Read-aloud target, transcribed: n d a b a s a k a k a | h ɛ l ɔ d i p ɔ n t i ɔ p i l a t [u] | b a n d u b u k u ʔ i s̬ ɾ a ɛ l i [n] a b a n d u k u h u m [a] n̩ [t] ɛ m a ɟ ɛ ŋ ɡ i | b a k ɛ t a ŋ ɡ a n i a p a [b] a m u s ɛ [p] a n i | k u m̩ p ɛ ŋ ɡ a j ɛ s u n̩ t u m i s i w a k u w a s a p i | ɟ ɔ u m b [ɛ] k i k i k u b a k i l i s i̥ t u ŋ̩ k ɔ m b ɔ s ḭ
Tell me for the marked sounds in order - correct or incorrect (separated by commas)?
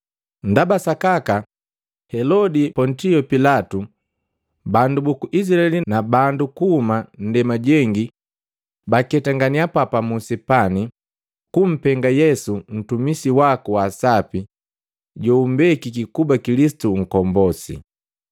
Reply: correct, correct, correct, incorrect, incorrect, correct, correct